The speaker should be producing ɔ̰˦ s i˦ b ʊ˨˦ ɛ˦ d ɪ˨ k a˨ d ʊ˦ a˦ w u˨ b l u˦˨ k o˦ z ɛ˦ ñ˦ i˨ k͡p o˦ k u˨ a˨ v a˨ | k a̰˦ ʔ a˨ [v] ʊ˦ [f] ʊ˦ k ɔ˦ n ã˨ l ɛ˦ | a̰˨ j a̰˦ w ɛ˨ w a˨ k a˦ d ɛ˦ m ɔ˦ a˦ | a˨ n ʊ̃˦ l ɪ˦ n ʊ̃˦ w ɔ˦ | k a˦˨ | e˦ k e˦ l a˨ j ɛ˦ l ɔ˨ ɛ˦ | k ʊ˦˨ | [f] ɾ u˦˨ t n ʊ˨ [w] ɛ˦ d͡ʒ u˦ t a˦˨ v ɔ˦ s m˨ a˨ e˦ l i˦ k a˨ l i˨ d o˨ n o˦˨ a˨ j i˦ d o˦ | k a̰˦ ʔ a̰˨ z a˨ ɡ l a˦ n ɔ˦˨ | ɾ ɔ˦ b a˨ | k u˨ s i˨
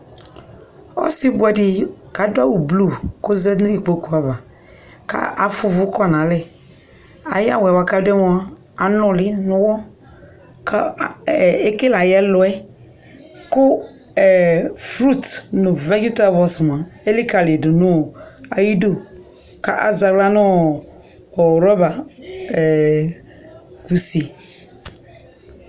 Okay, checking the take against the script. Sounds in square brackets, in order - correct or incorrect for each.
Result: incorrect: f, incorrect: v, correct, incorrect: v

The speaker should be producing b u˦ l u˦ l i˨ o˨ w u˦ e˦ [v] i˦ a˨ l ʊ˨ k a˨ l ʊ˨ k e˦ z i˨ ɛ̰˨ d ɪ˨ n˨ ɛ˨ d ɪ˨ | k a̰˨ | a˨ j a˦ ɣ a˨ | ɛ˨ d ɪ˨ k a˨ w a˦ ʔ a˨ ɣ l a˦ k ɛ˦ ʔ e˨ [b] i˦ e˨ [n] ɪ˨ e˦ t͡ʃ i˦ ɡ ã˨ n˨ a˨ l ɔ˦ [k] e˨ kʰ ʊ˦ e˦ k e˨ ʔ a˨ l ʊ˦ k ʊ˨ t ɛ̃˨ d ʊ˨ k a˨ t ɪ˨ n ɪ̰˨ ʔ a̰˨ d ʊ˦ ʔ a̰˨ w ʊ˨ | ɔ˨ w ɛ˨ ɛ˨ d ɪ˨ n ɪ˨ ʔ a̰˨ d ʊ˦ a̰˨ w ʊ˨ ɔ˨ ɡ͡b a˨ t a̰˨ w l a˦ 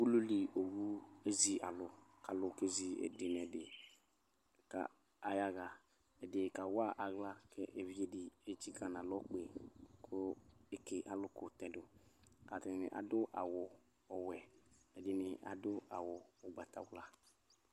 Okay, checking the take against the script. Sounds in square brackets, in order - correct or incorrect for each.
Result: incorrect: z, incorrect: v, incorrect: d, incorrect: k͡p

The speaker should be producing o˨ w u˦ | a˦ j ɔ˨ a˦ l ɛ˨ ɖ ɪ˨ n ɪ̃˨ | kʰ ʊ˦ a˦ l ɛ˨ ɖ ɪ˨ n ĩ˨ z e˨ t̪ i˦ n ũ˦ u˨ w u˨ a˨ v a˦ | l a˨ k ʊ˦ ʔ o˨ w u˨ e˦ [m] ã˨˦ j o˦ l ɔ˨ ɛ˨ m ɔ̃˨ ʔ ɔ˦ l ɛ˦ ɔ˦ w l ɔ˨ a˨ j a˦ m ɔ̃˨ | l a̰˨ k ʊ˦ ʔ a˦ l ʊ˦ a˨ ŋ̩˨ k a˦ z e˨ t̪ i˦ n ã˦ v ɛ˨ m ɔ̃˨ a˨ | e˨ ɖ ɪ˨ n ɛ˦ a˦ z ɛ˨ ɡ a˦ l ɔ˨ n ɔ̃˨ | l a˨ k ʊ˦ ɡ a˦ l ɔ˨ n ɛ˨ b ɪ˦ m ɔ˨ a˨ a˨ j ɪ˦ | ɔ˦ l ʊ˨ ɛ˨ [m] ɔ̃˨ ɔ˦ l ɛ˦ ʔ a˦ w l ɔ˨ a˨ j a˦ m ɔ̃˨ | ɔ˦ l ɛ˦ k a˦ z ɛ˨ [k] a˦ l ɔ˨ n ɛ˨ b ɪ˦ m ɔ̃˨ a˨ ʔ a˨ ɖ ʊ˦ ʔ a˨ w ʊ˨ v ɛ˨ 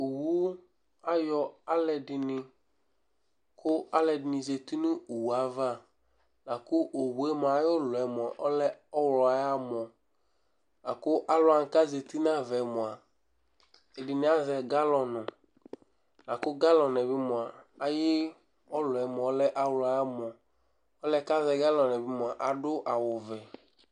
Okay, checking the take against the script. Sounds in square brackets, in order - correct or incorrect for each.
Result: correct, correct, incorrect: ɡ

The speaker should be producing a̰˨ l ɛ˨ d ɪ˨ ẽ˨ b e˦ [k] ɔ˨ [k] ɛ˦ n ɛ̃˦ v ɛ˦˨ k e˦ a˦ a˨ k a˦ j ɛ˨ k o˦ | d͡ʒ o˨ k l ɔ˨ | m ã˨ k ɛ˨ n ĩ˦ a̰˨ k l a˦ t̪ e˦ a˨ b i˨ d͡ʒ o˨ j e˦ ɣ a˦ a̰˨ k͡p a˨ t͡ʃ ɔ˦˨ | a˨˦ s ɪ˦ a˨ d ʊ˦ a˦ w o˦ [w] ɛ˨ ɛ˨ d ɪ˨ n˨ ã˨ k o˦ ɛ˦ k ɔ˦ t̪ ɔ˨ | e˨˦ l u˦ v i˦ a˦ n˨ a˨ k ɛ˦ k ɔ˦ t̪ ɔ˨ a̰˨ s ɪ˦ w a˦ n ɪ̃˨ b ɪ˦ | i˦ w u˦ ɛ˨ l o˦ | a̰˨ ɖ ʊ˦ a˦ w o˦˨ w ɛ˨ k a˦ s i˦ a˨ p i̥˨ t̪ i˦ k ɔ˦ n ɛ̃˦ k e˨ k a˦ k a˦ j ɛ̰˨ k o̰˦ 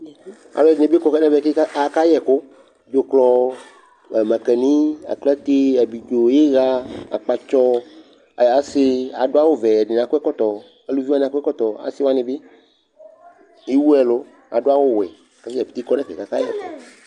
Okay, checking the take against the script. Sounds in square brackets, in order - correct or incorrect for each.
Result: correct, correct, incorrect: v

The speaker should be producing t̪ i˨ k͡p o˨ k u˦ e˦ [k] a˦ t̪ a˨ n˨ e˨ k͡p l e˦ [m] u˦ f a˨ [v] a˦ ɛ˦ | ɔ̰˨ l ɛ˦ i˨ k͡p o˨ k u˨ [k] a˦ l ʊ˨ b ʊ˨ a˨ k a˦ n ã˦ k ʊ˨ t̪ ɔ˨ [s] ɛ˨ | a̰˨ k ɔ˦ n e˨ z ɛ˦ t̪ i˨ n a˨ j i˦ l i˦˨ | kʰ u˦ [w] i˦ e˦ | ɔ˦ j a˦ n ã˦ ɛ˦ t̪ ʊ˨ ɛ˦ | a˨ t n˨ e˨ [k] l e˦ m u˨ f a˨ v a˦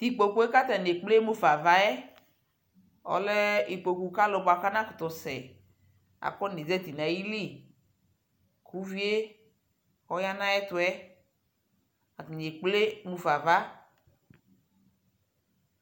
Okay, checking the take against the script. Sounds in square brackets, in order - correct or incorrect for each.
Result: correct, correct, correct, correct, correct, incorrect: v, incorrect: k͡p

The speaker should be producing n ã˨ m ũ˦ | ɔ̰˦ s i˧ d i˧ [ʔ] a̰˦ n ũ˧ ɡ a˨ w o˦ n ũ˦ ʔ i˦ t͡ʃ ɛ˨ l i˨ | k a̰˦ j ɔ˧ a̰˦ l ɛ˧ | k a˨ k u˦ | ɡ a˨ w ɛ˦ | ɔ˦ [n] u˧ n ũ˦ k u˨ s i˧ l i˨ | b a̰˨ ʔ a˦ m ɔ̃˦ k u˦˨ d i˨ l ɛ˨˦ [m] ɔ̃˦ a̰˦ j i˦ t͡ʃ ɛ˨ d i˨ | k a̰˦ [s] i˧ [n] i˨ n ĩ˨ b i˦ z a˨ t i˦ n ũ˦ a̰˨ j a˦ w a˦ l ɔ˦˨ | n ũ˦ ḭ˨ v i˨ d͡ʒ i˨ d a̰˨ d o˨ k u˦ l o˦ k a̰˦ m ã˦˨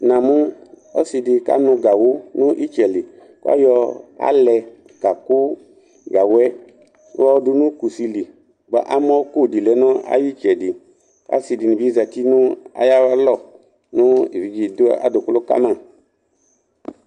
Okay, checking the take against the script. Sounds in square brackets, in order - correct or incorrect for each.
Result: incorrect: k, incorrect: d, incorrect: n, correct, incorrect: d

